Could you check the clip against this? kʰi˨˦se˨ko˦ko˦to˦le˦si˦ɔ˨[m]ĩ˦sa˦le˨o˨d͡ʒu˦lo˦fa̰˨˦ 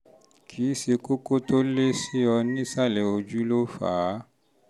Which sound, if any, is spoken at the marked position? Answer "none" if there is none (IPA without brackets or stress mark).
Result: n